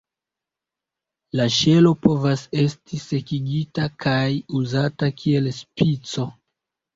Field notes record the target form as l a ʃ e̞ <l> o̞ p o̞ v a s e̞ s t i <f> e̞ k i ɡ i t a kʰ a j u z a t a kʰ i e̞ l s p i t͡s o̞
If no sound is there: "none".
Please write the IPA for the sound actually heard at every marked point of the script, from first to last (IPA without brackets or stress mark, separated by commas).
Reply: l, s